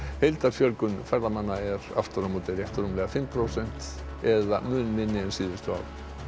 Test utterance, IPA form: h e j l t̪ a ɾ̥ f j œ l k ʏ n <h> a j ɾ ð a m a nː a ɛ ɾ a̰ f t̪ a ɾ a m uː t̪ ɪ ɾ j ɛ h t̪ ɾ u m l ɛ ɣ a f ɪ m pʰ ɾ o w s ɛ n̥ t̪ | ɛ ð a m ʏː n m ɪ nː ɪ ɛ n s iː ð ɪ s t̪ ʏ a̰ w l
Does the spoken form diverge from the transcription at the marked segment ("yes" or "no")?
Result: yes